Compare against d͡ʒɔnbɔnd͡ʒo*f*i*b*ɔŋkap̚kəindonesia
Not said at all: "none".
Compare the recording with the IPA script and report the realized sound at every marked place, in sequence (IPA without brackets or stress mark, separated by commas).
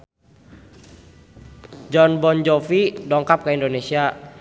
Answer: f, d